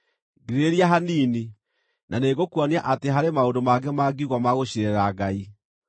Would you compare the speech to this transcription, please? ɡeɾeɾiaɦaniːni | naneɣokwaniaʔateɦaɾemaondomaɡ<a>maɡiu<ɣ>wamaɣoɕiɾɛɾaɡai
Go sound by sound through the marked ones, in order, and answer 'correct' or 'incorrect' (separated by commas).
incorrect, correct